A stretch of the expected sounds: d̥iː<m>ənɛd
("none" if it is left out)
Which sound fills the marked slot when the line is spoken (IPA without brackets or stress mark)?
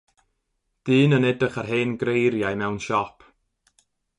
n